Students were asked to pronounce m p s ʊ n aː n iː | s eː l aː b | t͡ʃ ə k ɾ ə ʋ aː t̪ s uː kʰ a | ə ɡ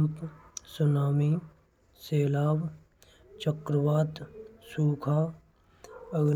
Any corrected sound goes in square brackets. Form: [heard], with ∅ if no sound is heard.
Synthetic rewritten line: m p s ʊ n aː [m] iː | s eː l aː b | t͡ʃ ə k ɾ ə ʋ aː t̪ s uː kʰ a | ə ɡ